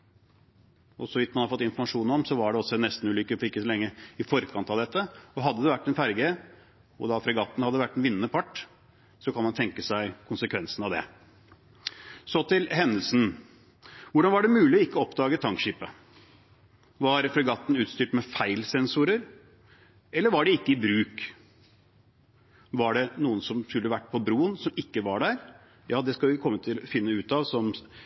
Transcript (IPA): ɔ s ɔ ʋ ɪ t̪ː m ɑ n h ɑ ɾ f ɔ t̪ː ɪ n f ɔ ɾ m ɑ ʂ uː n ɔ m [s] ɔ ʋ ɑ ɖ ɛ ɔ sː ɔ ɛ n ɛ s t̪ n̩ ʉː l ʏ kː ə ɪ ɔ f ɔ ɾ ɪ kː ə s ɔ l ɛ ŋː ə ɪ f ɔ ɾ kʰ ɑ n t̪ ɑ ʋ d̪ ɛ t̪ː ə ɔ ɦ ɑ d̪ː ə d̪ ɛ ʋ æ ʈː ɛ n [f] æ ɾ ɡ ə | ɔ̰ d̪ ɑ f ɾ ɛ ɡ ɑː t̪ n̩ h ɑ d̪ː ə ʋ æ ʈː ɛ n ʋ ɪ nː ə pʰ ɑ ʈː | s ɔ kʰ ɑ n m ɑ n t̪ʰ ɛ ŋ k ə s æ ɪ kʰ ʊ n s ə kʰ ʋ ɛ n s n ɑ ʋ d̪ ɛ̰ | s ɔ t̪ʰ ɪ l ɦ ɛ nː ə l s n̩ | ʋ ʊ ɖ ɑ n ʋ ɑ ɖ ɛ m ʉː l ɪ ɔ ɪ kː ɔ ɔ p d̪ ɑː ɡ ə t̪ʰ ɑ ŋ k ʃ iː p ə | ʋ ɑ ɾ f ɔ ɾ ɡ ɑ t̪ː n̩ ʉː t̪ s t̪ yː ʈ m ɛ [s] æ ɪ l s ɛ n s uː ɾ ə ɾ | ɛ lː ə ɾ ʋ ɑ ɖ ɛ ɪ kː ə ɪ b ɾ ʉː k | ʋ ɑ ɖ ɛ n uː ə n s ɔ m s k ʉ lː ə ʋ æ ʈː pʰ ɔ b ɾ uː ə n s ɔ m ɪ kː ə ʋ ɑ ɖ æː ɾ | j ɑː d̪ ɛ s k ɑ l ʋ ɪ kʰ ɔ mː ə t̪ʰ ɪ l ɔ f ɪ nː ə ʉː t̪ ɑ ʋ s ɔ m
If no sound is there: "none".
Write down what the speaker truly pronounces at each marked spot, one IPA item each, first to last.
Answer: s, f, f

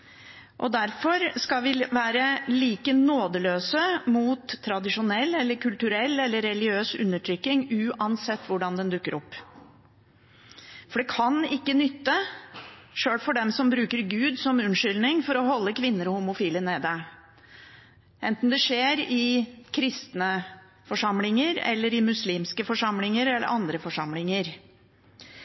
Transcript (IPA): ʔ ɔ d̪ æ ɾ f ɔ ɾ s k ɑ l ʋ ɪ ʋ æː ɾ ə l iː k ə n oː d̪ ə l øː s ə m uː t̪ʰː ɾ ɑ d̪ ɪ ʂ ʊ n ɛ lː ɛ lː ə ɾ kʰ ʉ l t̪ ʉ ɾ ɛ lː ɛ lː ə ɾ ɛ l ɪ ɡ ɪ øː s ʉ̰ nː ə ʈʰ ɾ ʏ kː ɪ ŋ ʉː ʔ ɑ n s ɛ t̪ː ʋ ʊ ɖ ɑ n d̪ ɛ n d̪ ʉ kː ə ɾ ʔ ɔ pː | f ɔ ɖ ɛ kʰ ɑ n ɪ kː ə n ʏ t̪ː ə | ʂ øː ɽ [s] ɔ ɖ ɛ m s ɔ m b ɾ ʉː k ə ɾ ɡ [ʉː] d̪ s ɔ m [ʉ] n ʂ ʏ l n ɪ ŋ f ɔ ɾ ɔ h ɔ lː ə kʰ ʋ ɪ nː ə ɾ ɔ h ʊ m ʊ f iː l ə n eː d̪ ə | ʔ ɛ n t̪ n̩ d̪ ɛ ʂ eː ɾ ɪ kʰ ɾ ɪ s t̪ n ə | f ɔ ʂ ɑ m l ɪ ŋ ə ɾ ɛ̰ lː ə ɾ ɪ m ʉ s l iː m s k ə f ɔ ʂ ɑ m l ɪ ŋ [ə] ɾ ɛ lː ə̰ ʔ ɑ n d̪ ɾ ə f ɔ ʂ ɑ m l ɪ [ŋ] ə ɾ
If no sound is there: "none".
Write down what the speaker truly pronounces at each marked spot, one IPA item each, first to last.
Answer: f, ʉː, ʉ, ə, ŋ

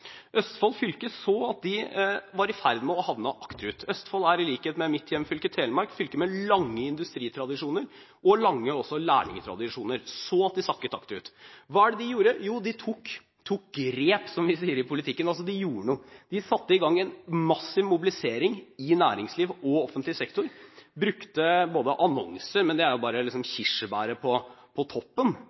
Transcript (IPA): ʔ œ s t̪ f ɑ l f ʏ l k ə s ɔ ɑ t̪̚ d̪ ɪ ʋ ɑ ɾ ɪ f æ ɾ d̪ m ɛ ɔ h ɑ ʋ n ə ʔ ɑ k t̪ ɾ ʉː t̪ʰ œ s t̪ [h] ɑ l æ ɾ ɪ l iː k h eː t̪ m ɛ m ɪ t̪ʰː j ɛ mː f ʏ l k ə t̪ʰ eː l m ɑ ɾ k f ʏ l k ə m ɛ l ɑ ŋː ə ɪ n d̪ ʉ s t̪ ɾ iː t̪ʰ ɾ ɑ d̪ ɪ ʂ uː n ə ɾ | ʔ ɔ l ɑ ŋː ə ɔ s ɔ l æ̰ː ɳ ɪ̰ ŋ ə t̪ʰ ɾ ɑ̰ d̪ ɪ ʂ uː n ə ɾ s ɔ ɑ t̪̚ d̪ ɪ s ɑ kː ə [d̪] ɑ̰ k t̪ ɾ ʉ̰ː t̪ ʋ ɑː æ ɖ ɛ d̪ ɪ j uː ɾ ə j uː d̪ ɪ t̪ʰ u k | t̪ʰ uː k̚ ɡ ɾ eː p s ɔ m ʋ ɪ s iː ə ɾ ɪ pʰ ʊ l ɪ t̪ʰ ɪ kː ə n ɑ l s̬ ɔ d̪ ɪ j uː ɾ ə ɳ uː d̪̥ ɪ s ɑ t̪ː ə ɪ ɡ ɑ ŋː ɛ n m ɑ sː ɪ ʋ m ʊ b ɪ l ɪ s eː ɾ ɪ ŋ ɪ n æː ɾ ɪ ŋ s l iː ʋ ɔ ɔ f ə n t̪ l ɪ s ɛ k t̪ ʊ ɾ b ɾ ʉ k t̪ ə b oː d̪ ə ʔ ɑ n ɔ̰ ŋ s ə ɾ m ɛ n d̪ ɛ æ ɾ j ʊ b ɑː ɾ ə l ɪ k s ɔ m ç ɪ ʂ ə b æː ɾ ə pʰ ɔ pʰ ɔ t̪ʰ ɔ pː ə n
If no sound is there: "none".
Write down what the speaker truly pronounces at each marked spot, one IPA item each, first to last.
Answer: f, t̪

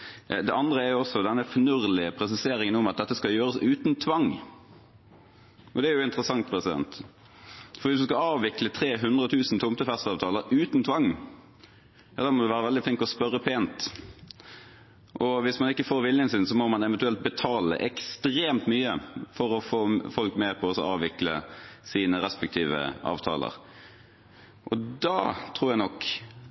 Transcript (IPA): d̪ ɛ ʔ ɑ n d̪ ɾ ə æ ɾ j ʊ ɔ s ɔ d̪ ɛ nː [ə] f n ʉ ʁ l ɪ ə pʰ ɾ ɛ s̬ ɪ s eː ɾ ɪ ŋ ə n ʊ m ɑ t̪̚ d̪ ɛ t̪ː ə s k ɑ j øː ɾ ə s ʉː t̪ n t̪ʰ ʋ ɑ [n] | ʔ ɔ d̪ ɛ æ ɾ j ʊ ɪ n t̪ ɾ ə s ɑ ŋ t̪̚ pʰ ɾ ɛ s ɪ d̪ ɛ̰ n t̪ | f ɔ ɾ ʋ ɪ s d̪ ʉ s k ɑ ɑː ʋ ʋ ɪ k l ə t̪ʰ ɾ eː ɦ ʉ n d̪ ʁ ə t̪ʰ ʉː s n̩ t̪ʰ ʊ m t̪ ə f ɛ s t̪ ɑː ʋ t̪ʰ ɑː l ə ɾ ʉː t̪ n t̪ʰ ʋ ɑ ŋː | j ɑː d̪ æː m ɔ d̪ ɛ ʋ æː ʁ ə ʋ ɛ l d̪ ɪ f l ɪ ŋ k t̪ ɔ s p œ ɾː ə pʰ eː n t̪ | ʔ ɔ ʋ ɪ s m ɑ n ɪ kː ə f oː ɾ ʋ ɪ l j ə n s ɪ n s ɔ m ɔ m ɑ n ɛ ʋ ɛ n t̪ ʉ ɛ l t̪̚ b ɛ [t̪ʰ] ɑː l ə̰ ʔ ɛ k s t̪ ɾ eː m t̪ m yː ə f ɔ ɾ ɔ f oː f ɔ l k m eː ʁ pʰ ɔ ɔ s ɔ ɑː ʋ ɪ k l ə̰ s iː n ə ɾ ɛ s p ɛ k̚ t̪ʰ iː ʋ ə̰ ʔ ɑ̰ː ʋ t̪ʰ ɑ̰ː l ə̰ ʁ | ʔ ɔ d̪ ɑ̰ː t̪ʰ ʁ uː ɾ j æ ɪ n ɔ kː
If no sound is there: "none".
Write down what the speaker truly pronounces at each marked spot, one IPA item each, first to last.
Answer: ə, ŋ, t̪ʰ

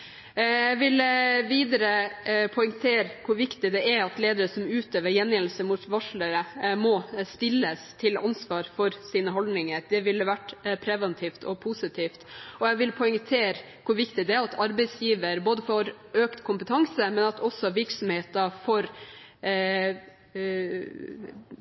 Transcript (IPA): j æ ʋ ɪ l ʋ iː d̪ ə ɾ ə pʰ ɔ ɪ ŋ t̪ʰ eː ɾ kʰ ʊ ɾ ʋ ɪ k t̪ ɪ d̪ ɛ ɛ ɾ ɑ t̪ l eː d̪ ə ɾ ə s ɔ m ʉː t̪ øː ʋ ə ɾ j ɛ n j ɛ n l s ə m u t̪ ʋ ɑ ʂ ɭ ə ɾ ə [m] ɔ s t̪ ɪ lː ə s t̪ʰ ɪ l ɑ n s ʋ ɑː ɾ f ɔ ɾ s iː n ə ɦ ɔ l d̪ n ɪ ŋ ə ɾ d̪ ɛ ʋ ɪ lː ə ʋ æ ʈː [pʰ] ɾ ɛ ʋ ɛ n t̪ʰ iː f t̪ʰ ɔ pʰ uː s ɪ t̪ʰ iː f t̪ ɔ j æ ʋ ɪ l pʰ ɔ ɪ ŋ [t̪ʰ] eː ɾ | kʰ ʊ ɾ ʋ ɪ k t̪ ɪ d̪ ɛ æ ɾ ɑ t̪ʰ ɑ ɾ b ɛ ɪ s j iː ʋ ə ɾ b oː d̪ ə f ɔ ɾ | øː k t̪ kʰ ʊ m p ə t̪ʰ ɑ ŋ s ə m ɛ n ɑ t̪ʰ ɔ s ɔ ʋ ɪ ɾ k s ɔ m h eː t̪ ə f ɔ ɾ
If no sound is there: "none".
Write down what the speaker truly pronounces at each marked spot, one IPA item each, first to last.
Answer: m, pʰ, t̪ʰ

